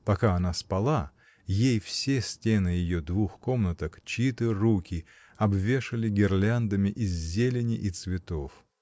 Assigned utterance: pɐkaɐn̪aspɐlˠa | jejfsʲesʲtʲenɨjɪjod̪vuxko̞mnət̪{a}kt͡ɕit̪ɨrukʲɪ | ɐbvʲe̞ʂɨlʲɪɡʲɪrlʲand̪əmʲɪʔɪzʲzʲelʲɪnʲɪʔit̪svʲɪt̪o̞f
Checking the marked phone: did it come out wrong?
yes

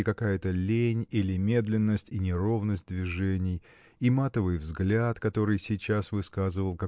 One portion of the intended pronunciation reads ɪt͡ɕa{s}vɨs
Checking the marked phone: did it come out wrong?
no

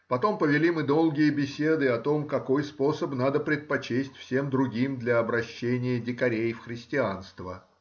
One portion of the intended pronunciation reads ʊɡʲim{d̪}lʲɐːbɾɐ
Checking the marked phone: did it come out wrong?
no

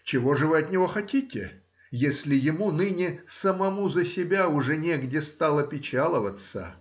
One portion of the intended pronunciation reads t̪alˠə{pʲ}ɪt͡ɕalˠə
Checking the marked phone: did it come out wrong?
no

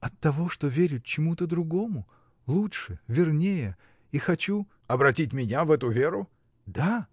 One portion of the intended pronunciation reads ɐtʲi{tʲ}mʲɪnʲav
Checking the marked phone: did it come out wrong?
no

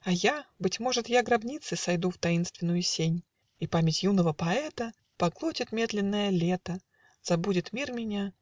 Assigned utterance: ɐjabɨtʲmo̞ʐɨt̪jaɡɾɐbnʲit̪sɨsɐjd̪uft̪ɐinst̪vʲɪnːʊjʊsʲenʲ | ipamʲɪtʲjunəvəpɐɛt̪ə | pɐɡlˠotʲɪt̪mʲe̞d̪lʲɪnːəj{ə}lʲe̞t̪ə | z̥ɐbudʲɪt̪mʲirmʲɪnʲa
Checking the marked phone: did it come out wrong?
no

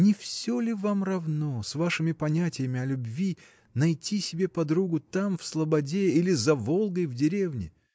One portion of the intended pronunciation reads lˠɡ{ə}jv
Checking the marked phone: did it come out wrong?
no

